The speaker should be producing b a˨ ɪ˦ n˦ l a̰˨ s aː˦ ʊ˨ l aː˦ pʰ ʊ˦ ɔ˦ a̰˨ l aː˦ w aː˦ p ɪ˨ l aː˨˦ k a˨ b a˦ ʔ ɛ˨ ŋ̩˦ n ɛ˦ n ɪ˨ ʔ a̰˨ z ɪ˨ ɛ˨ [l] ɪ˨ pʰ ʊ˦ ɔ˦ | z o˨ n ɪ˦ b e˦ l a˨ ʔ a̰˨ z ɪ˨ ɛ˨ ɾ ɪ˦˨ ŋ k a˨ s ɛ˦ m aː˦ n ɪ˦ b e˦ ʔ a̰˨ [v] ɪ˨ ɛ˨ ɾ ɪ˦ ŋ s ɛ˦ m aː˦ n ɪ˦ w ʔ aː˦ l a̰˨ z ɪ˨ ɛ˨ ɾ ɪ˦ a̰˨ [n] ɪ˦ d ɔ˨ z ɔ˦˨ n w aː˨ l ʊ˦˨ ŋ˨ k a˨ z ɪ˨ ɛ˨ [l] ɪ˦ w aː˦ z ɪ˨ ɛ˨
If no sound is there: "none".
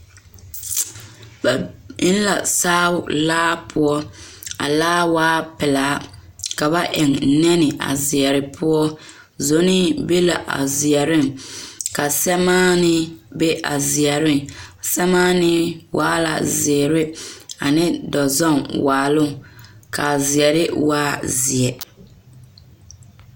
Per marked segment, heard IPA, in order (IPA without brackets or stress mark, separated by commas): ɾ, z, n, ɾ